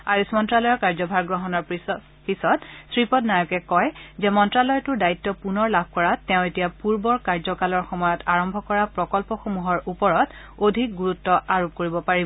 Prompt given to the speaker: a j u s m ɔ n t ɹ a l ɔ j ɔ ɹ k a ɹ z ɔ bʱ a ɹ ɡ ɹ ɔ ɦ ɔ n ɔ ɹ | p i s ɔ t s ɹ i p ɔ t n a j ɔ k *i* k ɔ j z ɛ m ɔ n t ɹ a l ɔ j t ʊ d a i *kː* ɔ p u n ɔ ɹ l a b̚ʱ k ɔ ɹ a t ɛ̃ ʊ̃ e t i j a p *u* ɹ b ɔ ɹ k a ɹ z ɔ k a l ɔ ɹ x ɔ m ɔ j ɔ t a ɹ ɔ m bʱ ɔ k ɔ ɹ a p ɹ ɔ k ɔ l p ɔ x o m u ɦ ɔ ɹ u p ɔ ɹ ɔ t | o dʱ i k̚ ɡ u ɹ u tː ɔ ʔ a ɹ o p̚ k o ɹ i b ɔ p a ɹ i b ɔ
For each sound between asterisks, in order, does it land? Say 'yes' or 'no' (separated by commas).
no, no, yes